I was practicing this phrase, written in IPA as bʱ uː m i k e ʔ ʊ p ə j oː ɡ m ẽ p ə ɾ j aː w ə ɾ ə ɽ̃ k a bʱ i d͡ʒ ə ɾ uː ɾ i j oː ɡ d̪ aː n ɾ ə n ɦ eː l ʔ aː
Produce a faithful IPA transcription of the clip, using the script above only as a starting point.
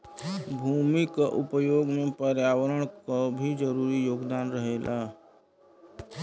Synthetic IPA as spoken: bʱ uː m i k a ʔ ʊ p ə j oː ɡ m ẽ p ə ɾ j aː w ə ɾ ə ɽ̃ k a bʱ i d͡ʒ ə ɾ uː ɾ i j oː ɡ d̪ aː n ɾ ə ɦ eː l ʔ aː